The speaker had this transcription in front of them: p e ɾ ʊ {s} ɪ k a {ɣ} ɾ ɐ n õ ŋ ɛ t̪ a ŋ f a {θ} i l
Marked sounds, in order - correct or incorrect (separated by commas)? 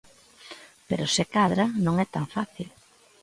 correct, incorrect, correct